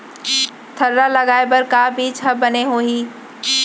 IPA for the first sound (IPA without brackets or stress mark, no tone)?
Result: t̪ʰ